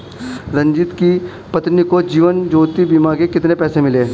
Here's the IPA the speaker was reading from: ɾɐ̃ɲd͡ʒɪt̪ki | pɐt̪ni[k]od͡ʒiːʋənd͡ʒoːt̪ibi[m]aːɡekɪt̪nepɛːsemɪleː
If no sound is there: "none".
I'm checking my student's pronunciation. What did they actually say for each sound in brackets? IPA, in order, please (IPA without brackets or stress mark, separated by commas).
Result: k, m